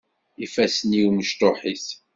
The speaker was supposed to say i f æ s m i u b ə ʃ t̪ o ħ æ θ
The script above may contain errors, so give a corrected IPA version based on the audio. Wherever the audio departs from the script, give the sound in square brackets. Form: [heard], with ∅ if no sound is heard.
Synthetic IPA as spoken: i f æ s [n] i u [m] ə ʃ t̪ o ħ [i] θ